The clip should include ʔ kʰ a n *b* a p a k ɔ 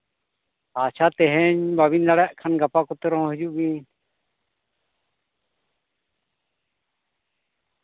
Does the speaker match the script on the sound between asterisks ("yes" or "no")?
no